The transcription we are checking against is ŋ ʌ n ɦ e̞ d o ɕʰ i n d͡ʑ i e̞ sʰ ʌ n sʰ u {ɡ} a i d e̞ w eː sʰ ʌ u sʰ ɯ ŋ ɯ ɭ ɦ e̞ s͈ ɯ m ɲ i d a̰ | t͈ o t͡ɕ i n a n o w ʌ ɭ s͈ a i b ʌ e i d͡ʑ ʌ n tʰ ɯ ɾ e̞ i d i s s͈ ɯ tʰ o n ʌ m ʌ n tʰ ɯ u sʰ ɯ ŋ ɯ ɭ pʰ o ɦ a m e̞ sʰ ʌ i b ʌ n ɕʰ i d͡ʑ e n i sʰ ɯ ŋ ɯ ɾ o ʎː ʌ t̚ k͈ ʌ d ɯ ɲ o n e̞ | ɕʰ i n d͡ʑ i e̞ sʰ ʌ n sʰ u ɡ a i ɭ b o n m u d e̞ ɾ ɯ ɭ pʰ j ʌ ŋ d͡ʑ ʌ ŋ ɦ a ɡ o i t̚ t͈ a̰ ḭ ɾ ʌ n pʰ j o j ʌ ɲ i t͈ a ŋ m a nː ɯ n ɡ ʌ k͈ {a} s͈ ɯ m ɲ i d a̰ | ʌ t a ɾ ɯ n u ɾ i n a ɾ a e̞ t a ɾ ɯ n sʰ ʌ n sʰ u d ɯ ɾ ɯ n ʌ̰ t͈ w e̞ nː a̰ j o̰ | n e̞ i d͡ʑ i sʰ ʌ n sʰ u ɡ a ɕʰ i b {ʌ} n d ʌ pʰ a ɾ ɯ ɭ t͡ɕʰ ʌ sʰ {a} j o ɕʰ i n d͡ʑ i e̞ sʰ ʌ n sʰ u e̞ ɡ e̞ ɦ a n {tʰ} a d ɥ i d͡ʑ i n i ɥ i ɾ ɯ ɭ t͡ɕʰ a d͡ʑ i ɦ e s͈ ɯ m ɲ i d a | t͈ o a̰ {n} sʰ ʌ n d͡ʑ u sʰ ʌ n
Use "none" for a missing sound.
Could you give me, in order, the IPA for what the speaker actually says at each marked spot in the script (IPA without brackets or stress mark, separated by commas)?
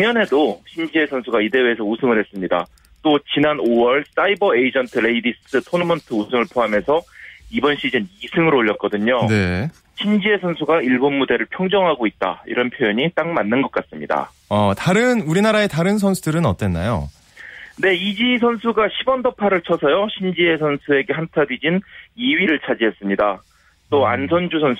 ɡ, a, ʌ, ʌ, tʰ, n